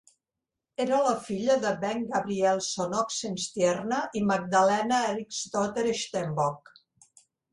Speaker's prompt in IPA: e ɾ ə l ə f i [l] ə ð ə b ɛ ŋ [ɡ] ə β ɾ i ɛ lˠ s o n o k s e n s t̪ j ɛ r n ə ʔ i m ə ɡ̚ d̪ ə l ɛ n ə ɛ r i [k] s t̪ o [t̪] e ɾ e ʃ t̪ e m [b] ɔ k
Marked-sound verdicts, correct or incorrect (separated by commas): incorrect, correct, correct, correct, correct